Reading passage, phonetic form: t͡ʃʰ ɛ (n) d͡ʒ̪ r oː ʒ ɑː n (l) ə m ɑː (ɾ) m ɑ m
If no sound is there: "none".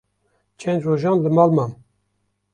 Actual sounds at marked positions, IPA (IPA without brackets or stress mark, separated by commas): n, l, l